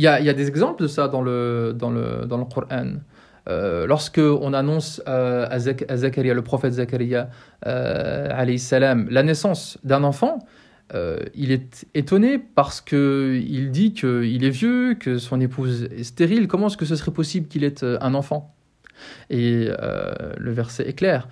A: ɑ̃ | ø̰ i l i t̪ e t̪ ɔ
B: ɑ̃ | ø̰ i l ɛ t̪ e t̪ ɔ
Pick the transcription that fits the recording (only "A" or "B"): B